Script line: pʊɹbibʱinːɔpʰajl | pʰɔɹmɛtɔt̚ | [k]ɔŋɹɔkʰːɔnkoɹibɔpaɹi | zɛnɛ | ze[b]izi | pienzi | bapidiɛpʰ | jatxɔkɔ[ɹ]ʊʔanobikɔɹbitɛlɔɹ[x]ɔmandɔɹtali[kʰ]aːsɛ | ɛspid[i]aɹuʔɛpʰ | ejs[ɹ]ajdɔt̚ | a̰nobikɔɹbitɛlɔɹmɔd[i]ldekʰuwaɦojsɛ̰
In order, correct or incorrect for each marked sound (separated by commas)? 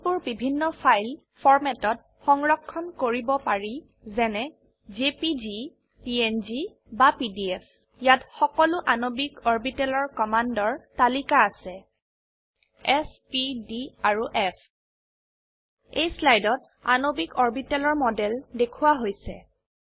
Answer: incorrect, incorrect, incorrect, incorrect, incorrect, correct, incorrect, incorrect